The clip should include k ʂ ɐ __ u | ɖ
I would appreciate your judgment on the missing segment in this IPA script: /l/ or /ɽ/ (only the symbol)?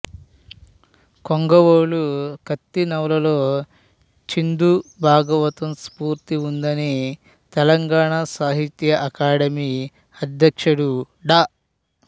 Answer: ɽ